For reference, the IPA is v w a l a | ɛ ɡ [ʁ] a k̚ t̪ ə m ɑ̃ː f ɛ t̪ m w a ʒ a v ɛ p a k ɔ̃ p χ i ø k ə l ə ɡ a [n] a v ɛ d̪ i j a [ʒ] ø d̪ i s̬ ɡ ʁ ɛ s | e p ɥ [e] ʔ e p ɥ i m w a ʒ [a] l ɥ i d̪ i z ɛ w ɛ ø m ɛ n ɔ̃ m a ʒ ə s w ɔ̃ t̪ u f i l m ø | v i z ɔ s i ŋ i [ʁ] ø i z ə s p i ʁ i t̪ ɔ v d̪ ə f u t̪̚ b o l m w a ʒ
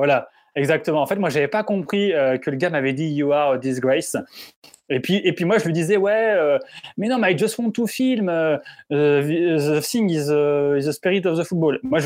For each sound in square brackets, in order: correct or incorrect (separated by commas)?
incorrect, incorrect, incorrect, incorrect, incorrect, incorrect